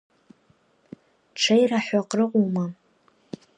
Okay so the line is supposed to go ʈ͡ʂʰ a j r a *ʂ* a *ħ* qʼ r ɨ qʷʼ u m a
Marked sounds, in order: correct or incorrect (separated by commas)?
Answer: incorrect, incorrect